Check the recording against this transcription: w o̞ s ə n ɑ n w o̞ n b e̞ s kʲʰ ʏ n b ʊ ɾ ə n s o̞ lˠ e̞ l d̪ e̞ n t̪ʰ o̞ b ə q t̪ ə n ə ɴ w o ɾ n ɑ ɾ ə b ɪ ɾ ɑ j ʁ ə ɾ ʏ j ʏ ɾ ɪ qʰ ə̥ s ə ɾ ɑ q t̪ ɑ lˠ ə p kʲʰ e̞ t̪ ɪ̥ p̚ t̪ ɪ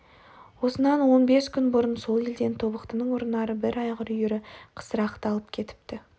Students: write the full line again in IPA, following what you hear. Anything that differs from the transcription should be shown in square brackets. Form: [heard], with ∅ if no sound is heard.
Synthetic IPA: w o̞ s ə n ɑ n w o̞ n b e̞ s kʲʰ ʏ n b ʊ ɾ ə n s o̞ lˠ e̞ l d̪ e̞ n t̪ʰ o̞ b ə q t̪ ə n ə ɴ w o ɾ n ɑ ɾ ə b ɪ ɾ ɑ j ʁ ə ɾ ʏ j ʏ ɾ ɪ qʰ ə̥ s ə ɾ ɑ q t̪ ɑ lˠ ə p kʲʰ e̞ t̪ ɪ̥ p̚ t̪ ɪ